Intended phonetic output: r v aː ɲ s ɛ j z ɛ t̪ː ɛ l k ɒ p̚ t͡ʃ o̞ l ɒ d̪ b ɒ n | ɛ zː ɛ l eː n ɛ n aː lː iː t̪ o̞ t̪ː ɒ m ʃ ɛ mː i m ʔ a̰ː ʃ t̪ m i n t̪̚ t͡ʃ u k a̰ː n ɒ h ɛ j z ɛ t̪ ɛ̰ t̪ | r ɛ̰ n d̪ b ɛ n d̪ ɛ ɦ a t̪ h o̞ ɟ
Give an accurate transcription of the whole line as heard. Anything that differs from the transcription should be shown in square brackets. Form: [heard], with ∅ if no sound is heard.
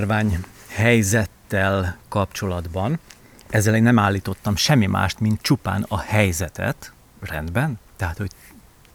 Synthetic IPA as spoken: r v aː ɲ [h] ɛ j z ɛ t̪ː ɛ l k ɒ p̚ t͡ʃ o̞ l ɒ d̪ b ɒ n | ɛ zː ɛ l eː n ɛ [m] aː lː iː t̪ o̞ t̪ː ɒ m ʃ ɛ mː i m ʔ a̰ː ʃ t̪ m i n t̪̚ t͡ʃ u [p] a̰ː n ɒ h ɛ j z ɛ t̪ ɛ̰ t̪ | r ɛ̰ n d̪ b ɛ n [t̪] ɛ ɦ a t̪ h o̞ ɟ